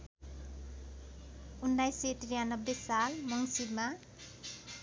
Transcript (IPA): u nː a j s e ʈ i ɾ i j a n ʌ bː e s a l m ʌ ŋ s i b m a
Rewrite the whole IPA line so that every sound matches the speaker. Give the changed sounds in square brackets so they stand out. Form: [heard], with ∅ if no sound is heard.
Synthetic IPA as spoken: u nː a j s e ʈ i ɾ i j a n ʌ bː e s a l m ʌ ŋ s i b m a

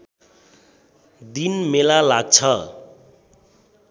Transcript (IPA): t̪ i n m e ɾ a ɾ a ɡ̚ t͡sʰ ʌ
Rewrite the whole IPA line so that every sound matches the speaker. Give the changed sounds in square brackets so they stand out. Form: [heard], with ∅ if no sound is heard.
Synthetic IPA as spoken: [d̪] i n m e [l] a [l] a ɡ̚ t͡sʰ ʌ

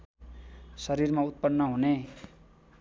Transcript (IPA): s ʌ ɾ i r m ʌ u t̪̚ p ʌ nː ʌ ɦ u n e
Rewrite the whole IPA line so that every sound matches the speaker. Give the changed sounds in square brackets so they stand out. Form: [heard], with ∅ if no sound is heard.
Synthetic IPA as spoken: s ʌ ɾ i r m [a] u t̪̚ p ʌ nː ʌ ɦ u n e

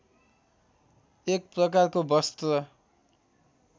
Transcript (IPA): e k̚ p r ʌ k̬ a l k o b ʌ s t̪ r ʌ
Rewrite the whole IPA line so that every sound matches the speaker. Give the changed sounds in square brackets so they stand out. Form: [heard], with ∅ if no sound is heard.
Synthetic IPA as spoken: e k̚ p r ʌ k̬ a [r] k o b ʌ s t̪ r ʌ

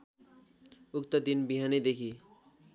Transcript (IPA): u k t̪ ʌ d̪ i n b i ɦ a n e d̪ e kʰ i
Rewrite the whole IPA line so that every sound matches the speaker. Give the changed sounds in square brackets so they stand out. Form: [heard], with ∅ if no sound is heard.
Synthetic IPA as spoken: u k t̪ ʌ d̪ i n b i ɦ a n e d̪ e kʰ i

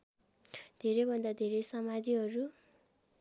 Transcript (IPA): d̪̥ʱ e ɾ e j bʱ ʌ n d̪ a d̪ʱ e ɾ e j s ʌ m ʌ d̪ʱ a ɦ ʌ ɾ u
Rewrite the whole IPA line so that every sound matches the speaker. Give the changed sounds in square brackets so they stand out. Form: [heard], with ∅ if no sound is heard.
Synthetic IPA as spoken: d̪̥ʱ e ɾ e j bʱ ʌ n d̪ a d̪ʱ e ɾ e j s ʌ m [a] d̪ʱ [i] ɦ ʌ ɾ u

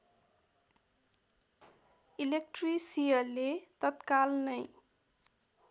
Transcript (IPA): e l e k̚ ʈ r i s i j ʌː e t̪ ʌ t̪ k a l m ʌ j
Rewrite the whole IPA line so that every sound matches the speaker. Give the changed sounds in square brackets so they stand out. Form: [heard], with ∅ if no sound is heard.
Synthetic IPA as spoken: [i] l e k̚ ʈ r i s i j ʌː e t̪ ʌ t̪ k a l [n] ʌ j

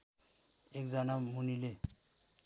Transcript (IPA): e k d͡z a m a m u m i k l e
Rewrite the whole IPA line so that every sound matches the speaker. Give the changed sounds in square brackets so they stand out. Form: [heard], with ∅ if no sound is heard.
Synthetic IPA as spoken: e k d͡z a [n] a m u [n] i [∅] l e

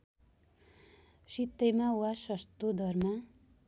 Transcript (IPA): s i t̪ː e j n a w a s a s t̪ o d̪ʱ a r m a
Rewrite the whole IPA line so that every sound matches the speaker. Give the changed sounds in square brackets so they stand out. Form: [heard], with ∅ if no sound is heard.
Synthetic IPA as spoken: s i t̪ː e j [m] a w a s [ʌ] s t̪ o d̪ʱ [ʌ] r m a

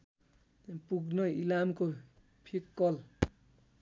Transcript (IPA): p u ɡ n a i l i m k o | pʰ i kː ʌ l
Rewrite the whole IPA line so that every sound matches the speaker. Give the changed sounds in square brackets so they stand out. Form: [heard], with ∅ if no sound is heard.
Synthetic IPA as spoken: p u ɡ n [ʌ] i l [a] m k o | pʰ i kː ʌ l

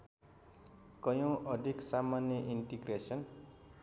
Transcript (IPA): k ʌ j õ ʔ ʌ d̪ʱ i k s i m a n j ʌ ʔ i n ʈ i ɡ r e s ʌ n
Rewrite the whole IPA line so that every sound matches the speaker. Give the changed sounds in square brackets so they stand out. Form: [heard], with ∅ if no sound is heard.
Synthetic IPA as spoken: k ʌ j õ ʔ ʌ d̪ʱ i k s [a] m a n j ʌ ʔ i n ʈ i ɡ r e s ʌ n

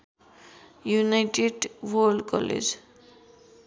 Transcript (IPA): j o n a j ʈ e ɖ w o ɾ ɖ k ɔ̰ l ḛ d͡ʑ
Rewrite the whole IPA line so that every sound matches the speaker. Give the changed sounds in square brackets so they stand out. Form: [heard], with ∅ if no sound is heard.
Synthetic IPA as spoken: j [u] n a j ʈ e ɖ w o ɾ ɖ k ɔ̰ l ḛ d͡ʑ

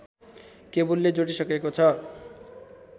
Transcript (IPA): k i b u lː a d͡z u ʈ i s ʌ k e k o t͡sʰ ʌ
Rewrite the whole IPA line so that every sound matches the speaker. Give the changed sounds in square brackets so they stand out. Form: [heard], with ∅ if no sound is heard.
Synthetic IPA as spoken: k [e] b u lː [e] d͡z [o] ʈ i s ʌ k e k o t͡sʰ ʌ

